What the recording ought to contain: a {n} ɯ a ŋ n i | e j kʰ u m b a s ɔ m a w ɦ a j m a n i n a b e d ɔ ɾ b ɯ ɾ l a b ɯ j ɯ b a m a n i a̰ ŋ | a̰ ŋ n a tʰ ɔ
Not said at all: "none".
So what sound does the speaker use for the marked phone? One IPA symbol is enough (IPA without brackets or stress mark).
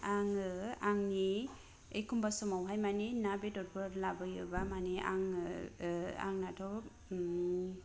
ŋ